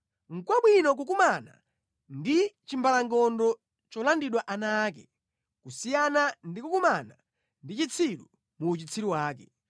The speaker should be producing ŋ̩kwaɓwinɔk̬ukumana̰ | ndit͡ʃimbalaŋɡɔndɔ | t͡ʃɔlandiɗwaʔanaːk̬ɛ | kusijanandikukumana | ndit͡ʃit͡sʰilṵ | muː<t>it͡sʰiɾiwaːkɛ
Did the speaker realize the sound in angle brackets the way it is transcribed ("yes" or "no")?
no